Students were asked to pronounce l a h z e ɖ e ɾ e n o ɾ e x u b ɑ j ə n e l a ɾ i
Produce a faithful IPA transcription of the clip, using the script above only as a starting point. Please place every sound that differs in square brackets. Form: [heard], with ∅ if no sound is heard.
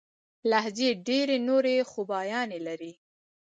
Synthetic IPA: l a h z e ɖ e ɾ e n o ɾ e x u b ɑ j [ɑ] n e l a ɾ i